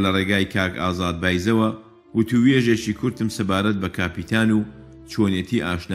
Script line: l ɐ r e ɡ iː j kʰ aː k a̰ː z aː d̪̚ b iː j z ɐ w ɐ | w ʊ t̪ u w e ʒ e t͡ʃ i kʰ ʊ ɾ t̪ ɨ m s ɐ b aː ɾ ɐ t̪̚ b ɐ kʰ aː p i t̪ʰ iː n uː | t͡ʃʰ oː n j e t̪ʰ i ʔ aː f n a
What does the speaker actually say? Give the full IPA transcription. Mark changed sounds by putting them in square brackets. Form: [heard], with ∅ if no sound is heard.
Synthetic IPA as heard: l ɐ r e ɡ [aː] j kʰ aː k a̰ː z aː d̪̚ b [aː] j z ɐ w ɐ | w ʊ t̪ u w e ʒ e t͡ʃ i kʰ ʊ ɾ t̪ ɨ m s ɐ b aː ɾ ɐ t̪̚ b ɐ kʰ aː p i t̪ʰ [aː] n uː | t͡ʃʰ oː n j e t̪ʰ i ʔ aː [ʃ] n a